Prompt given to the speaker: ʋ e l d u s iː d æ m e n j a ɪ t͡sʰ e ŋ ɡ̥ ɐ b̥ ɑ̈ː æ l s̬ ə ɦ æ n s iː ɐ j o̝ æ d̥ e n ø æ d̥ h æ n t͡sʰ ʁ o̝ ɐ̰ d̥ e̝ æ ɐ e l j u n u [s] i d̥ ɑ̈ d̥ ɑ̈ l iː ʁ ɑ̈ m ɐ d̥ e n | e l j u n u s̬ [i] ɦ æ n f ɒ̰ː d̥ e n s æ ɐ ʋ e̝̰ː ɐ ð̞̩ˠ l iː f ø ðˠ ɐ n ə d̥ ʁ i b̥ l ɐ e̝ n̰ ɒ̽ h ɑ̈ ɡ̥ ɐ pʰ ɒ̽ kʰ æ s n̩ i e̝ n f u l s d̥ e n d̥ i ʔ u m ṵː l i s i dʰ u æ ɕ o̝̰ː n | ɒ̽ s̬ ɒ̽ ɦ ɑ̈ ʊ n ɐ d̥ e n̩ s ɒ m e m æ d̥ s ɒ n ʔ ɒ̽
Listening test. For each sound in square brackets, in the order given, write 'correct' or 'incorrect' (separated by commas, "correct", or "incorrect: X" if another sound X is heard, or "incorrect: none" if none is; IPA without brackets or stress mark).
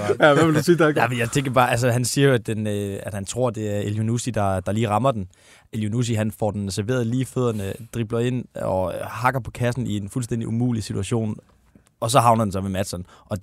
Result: correct, correct